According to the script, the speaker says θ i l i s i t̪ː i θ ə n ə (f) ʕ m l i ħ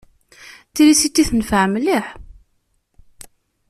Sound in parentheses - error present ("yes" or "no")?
no